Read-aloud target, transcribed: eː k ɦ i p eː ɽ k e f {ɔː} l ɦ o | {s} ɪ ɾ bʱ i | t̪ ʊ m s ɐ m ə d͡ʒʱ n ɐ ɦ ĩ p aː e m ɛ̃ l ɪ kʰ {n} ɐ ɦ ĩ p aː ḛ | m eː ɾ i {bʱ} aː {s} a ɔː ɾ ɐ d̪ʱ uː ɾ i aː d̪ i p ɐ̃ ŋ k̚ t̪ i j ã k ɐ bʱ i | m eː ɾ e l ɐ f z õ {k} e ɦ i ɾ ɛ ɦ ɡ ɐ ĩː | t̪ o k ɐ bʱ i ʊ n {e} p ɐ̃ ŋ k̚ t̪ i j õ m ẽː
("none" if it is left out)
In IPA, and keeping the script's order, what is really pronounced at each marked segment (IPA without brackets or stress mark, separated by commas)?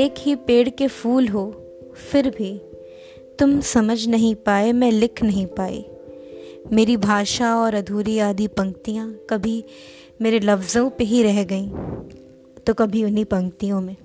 uː, f, n, bʱ, ʃ, p, i